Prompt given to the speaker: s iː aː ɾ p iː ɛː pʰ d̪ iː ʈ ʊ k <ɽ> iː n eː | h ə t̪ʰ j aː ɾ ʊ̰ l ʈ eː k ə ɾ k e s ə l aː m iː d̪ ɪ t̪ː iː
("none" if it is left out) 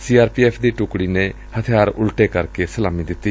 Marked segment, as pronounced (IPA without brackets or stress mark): ɽ